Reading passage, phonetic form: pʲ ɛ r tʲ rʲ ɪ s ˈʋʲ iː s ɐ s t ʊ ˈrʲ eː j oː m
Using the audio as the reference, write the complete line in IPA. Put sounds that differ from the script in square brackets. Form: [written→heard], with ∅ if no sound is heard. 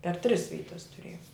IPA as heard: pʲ ɛ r tʲ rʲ ɪ s ˈʋʲ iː [s→t] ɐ s t ʊ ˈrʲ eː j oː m